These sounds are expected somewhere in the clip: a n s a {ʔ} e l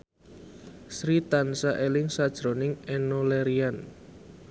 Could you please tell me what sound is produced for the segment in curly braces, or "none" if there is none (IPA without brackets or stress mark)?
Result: ʔ